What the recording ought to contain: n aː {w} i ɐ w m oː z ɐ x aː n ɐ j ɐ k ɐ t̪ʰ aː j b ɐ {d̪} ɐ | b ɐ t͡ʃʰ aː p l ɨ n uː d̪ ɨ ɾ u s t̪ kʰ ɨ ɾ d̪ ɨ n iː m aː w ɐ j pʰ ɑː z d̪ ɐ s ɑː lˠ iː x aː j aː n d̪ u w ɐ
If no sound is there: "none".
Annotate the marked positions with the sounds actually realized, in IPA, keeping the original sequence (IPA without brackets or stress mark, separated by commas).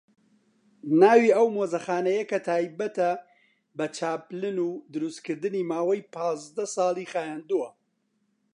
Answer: w, t̪